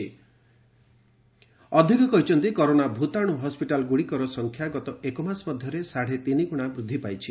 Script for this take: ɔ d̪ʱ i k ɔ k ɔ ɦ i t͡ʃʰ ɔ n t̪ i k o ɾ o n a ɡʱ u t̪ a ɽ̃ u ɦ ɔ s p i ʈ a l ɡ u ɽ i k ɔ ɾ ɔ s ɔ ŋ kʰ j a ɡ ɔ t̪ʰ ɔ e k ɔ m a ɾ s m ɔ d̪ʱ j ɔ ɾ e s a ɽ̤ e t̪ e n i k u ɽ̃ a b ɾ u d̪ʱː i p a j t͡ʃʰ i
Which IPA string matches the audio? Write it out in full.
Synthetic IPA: ɔ d̪ʱ i k ɔ k ɔ ɦ i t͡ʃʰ ɔ n t̪ i k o ɾ o n a bʱ u t̪ a ɽ̃ u ɦ ɔ s p i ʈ a l ɡ u ɽ i k ɔ ɾ ɔ s ɔ ŋ kʰ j a ɡ ɔ t̪ ɔ e k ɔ m a s m ɔ d̪ʱ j ɔ ɾ e s a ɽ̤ e t̪ i n i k u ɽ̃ a b ɾ u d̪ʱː i p a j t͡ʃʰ i